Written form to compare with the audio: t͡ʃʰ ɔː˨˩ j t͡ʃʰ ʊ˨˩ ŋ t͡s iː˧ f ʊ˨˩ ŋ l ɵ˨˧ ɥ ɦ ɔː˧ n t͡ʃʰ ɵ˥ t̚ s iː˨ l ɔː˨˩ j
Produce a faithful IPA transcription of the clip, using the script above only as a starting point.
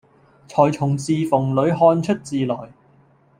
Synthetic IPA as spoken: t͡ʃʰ ɔː˨˩ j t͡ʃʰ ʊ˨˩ ŋ t͡s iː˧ f ʊ˨˩ ŋ l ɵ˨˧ ɥ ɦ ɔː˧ n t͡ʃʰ ɵ˥ t̚ t͡s iː˨ l ɔː˨˩ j